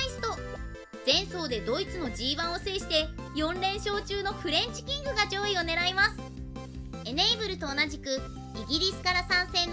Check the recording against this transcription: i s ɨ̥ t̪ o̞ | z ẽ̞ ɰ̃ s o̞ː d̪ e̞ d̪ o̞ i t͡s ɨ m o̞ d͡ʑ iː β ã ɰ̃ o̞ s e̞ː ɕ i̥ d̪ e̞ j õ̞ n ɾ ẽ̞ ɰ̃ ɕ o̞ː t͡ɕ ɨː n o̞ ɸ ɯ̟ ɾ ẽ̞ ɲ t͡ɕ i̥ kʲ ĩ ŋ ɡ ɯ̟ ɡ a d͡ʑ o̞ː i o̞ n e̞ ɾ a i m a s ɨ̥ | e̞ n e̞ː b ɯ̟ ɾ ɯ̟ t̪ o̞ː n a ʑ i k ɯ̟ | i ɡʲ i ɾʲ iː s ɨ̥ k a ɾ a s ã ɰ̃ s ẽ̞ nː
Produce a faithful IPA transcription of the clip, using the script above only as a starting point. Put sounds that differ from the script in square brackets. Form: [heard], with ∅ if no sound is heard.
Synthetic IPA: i s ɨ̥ t̪ o̞ | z ẽ̞ ɰ̃ s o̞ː d̪ e̞ d̪ o̞ i t͡s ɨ [n] o̞ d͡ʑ iː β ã ɰ̃ o̞ s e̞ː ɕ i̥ [t̪] e̞ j õ̞ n ɾ ẽ̞ ɰ̃ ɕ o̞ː t͡ɕ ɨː n o̞ ɸ ɯ̟ ɾ ẽ̞ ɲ t͡ɕ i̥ kʲ ĩ ŋ ɡ ɯ̟ ɡ a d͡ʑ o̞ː i o̞ n e̞ ɾ a i m a s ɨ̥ | e̞ n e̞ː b ɯ̟ ɾ ɯ̟ t̪ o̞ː n a ʑ i k ɯ̟ | i ɡʲ i ɾʲ [i] s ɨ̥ k a ɾ a s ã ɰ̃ s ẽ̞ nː